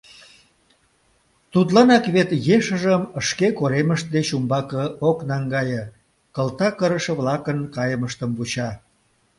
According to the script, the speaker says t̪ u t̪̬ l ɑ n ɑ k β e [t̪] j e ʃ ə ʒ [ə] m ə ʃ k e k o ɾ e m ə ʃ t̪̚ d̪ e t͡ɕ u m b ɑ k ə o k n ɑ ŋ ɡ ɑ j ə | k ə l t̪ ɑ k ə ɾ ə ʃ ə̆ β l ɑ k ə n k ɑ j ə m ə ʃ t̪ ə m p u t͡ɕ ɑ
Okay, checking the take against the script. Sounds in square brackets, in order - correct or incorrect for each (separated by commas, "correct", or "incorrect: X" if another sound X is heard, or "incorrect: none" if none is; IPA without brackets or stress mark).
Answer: correct, correct